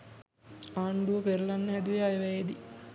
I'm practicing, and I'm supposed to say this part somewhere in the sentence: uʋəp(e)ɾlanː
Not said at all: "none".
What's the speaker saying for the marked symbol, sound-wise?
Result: e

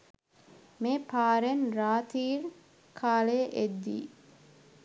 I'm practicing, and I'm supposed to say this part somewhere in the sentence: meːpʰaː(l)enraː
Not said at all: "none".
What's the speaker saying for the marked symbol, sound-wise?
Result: ɾ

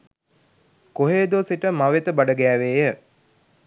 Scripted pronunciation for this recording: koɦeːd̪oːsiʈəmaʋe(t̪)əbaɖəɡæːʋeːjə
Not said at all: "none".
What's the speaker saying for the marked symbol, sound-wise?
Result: t̪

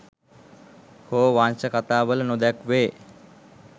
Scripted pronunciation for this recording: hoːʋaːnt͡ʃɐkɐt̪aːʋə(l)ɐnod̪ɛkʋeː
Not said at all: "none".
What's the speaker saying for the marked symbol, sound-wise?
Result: l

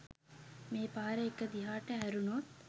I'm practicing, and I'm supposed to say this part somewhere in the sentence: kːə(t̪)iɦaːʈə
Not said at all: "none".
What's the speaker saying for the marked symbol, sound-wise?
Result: d̪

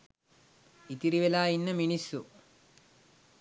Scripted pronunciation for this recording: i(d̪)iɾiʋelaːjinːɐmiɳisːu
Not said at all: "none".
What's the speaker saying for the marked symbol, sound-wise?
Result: t̪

